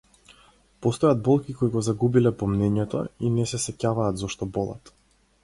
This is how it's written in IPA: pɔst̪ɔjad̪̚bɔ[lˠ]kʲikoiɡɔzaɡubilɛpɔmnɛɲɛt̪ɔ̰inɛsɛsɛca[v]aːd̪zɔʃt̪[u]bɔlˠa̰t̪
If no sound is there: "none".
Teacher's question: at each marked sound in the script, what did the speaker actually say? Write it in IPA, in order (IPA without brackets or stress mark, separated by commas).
lˠ, v, ɔ